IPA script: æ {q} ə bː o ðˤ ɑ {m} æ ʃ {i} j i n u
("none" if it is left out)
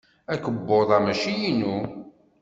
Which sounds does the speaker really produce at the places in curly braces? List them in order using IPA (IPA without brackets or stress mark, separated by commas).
k, m, i